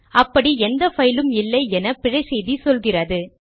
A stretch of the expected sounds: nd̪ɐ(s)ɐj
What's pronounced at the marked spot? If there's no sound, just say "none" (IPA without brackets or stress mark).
f